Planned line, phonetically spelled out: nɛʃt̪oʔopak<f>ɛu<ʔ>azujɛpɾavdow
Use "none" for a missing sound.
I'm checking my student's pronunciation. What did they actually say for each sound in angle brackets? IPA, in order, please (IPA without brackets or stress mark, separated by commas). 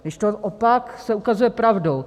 s, k